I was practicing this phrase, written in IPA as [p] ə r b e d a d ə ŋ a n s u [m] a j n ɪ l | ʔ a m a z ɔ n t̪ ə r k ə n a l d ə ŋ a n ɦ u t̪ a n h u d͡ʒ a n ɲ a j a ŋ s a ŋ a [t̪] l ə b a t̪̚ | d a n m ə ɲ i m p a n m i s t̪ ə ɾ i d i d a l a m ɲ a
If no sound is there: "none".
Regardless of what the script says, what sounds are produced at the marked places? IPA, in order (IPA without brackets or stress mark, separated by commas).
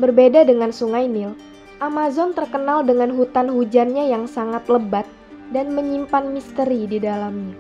b, ŋ, t̪